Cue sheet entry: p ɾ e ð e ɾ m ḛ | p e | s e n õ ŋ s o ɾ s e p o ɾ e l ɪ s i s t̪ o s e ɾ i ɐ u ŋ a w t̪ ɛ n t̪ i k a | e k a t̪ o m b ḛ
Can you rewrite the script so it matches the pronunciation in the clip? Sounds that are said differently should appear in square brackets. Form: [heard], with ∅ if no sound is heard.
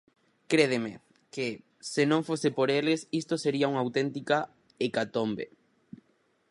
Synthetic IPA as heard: [k] ɾ e ð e [∅] m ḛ | [k] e | s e n õ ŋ [f] o [∅] s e p o ɾ e l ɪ s i s t̪ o s e ɾ i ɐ u ŋ a w t̪ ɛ n t̪ i k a | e k a t̪ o m b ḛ